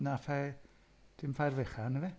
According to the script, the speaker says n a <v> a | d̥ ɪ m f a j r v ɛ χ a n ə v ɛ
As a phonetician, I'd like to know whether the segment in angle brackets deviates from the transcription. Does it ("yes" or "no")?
yes